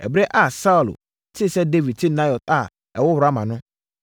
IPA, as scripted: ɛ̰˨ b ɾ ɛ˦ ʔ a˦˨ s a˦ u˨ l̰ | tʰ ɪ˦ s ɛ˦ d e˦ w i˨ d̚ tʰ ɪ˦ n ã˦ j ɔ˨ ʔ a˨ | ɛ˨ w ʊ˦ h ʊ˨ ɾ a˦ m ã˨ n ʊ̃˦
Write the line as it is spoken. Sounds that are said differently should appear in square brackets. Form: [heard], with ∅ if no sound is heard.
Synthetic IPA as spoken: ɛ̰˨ b ɾ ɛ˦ ʔ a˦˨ s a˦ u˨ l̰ | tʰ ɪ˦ s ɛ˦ d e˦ [v] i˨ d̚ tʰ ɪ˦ n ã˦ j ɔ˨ [t] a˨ | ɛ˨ w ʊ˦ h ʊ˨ ɾ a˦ m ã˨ n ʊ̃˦